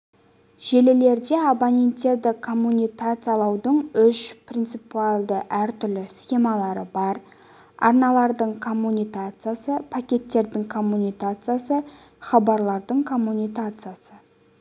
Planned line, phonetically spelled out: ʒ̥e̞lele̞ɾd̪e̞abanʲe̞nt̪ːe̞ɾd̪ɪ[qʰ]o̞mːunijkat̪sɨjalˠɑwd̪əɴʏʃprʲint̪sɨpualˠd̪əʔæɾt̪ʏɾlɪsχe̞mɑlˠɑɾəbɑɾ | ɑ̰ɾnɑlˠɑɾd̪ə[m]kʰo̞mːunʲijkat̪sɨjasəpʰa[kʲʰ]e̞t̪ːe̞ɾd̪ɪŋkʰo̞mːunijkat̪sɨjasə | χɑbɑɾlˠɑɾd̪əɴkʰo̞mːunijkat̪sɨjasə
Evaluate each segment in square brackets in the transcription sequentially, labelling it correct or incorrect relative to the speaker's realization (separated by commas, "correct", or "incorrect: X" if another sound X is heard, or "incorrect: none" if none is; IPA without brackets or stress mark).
incorrect: kʰ, incorrect: ɴ, incorrect: kʲ